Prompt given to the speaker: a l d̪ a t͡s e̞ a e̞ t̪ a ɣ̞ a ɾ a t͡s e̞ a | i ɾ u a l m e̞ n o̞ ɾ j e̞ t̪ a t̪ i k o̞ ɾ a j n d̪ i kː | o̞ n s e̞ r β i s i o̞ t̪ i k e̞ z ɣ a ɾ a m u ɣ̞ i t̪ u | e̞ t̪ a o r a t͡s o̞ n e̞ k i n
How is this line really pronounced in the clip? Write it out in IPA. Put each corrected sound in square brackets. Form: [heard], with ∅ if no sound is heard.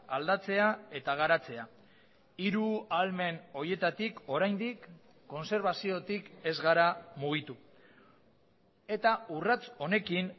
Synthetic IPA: a l d̪ a t͡s e̞ a e̞ t̪ a ɣ̞ a ɾ a t͡s e̞ a | i ɾ u a l m e̞ n o̞ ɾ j e̞ t̪ a t̪ i k o̞ ɾ a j n d̪ i kː | o̞ n s e̞ [ɾ] β [a] s i o̞ t̪ i k e̞ z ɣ a ɾ a m u ɣ̞ i t̪ u | e̞ t̪ a [u] r a t͡s o̞ n e̞ k i n